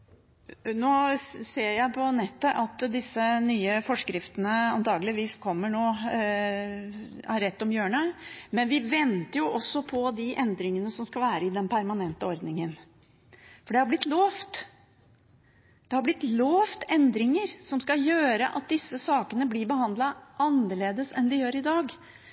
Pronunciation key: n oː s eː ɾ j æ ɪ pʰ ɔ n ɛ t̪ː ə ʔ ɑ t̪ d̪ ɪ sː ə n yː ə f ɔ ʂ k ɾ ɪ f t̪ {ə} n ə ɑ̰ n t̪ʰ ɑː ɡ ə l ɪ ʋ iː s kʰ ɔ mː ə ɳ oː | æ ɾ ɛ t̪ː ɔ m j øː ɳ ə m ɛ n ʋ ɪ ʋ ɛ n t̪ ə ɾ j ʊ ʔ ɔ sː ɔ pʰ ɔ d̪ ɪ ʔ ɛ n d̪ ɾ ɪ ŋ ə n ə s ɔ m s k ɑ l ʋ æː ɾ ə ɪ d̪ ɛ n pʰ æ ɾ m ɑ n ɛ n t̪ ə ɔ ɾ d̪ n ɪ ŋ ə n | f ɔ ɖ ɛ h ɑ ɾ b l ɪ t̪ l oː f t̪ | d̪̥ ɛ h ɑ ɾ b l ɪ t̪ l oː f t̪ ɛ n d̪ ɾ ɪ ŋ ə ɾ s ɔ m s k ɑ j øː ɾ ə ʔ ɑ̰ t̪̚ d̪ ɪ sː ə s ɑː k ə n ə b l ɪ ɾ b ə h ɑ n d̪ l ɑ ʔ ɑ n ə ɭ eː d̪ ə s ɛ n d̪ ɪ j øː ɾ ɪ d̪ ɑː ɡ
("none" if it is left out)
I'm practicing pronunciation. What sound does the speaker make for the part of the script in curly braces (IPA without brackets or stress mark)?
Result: ə